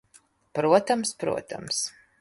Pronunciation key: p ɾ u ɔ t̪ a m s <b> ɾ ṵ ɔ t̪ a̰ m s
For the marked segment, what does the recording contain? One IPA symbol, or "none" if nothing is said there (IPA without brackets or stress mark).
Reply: p